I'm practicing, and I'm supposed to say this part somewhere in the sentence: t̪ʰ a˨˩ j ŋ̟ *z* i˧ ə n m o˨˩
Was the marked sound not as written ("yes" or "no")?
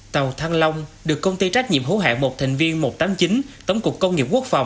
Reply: yes